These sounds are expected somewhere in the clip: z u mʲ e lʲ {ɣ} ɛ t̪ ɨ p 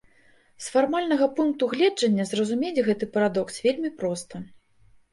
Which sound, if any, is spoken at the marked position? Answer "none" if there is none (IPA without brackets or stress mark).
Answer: ɣ